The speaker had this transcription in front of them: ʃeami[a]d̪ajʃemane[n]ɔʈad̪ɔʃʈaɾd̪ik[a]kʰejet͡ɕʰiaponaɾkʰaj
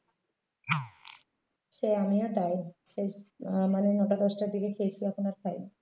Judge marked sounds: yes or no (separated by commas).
yes, yes, no